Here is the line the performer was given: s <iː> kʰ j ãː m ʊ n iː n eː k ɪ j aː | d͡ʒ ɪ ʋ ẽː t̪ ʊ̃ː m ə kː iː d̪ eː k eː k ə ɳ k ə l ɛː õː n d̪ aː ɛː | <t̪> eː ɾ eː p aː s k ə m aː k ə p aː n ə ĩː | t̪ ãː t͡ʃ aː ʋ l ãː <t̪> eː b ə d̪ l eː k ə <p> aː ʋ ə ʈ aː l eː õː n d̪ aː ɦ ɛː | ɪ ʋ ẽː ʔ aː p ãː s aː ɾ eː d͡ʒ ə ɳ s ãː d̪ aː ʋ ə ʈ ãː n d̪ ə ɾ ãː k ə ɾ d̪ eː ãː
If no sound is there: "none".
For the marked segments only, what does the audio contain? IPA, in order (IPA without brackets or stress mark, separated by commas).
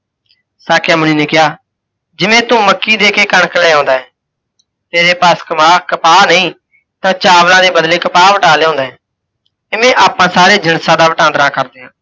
aː, t̪, d̪, p